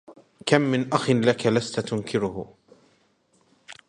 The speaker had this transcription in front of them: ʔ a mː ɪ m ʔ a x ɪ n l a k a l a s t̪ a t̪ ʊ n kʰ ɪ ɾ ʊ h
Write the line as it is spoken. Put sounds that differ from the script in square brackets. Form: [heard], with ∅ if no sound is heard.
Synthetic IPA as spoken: [k] a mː ɪ [n] ʔ a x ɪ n l a k a l a s t̪ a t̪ ʊ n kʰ ɪ ɾ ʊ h